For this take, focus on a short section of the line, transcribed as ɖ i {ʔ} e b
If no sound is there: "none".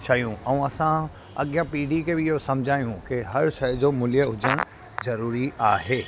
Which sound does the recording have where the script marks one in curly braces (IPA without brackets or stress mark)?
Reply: k